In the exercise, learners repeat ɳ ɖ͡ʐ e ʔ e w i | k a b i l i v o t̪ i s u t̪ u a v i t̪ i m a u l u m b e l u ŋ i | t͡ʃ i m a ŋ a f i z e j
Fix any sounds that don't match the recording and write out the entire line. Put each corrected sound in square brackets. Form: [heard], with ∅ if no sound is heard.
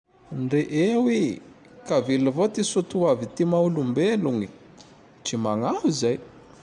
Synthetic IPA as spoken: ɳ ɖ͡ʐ e ʔ e w i | k a [v] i l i v o t̪ i s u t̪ u a v i t̪ i m a u l u m b e l u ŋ i | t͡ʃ i m a ŋ a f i z [a] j